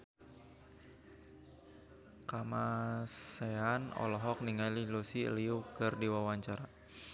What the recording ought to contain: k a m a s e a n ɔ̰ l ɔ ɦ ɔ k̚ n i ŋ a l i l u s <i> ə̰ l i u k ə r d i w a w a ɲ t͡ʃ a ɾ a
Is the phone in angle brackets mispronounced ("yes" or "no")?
no